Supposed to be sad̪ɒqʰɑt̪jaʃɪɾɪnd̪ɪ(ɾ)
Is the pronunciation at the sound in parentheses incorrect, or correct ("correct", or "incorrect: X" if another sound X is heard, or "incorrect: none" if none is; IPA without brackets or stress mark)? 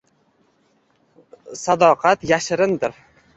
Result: correct